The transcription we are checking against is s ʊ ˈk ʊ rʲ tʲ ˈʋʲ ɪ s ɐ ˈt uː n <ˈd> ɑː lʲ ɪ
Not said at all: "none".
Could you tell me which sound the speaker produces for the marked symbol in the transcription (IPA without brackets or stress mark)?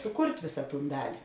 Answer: d